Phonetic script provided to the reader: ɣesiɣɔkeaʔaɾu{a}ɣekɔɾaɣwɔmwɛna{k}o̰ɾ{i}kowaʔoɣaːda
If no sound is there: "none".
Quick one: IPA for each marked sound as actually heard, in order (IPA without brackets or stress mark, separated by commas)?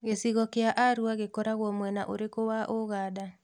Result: a, ʔ, e